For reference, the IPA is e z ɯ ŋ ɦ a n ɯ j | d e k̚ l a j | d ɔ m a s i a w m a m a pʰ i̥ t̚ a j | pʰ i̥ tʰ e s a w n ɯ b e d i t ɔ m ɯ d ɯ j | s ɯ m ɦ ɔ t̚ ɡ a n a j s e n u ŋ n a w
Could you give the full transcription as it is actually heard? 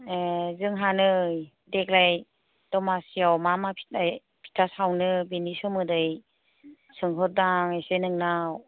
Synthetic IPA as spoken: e z ɯ ŋ ɦ a n ɯ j | d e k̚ l a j | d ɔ m a s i a w m a m a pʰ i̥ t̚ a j | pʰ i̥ tʰ a s a w n ɯ b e n i s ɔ m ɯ d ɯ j | s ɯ ŋ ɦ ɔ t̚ d a ŋ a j s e n ɯ ŋ n a w

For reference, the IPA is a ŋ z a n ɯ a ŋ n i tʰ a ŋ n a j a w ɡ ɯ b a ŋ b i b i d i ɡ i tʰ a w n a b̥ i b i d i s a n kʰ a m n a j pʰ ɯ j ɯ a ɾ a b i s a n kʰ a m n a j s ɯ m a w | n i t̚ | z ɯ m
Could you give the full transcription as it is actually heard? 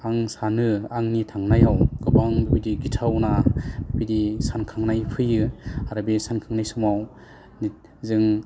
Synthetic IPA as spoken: a ŋ s a n ɯ a ŋ n i tʰ a ŋ n a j a w ɡ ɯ b a ŋ b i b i d i ɡ i tʰ a w n a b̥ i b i d i s a n kʰ a ŋ n a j pʰ ɯ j ɯ a ɾ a b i s a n kʰ a ŋ n a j s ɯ m a w | n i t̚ | z ɯ ŋ

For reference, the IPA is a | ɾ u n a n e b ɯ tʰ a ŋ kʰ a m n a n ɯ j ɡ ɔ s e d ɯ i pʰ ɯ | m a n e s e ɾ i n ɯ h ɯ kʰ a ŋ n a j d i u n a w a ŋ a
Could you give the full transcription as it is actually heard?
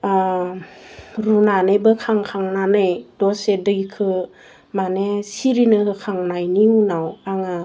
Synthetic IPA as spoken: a | ɾ u n a n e b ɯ kʰ a ŋ kʰ a ŋ n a n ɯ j d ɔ s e d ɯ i kʰ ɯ | m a n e s i ɾ i n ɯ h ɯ kʰ a ŋ n a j n i u n a w a ŋ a

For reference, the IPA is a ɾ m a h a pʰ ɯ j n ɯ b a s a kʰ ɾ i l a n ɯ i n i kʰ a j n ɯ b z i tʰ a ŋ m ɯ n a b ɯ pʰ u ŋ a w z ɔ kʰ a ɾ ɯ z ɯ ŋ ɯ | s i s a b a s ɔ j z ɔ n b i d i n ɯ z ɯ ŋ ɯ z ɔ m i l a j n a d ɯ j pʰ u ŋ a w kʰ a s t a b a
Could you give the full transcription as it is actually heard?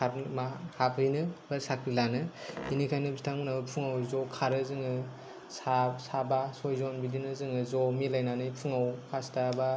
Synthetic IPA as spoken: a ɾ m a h a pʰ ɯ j n ɯ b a s a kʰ ɾ i l a n ɯ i n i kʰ a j n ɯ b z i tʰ a ŋ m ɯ n a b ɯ pʰ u ŋ a w z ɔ kʰ a ɾ ɯ z ɯ ŋ ɯ | s a s a b a s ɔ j z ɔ n b i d i n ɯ z ɯ ŋ ɯ z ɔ m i l a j n a n ɯ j pʰ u ŋ a w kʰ a s t a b a

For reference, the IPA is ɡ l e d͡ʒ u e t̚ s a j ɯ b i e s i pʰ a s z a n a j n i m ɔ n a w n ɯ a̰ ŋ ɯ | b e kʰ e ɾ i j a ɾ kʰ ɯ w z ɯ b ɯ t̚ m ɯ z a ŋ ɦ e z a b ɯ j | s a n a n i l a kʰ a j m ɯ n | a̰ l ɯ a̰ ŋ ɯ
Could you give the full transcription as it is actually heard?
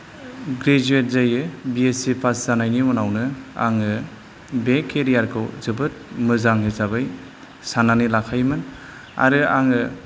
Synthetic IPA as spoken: ɡ ɾ e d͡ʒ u e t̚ z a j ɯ b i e s i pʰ a s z a n a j n i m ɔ n a w n ɯ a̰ ŋ ɯ | b e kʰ e ɾ i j a ɾ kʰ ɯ w z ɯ b ɯ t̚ m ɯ z a ŋ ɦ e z a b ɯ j | s a n a n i l a kʰ a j m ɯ n | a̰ ɾ ɯ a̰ ŋ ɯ

